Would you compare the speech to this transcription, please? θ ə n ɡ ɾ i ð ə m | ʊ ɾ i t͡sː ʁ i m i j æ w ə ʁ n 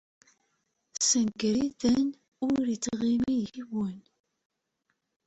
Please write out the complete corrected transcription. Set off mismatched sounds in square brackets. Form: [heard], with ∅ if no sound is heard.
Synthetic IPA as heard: [s] ə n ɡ ɾ i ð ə [n] | ʊ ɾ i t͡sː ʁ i m i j [i] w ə [∅] n